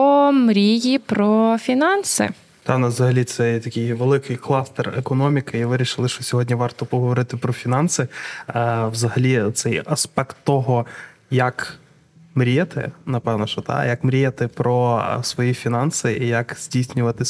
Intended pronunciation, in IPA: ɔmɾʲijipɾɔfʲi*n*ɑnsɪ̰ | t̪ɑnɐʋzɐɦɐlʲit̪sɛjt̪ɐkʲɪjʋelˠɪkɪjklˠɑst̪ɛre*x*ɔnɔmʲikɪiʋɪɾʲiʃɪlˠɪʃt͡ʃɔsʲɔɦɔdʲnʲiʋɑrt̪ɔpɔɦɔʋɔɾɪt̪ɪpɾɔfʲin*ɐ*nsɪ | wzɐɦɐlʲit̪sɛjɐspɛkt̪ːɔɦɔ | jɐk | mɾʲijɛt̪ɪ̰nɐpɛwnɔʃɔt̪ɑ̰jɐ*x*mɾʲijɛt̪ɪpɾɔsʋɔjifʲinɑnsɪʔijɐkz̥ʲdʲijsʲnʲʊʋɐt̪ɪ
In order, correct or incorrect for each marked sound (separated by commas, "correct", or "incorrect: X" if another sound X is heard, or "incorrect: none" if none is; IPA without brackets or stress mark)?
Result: correct, incorrect: k, incorrect: ɑ, incorrect: k